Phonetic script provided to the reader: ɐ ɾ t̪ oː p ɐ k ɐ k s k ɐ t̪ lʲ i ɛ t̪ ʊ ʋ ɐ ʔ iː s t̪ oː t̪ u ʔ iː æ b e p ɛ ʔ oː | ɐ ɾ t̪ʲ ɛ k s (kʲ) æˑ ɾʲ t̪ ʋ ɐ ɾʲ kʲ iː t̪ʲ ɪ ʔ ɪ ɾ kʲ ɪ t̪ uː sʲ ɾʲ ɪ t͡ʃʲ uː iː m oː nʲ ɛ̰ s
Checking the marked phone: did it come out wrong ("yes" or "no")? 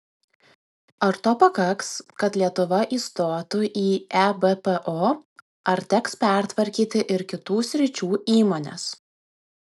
yes